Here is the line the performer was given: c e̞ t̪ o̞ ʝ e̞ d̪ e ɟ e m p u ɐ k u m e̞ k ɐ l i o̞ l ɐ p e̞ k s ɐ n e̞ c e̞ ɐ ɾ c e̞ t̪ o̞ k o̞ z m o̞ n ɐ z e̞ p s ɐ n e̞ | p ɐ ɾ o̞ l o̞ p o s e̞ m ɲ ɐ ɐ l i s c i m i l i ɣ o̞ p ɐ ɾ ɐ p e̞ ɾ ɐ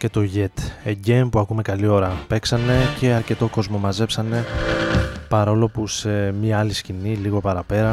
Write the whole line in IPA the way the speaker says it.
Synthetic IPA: c e̞ t̪ o̞ ʝ e̞ t̪ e ɟ e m p u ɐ k u m e̞ k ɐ l i o̞ ɾ ɐ p e̞ k s ɐ n e̞ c e̞ ɐ ɾ c e̞ t̪ o̞ k o̞ z m o̞ m ɐ z e̞ p s ɐ n e̞ | p ɐ ɾ o̞ l o̞ p u s e̞ m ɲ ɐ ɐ l i s c i n i l i ɣ o̞ p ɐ ɾ ɐ p e̞ ɾ ɐ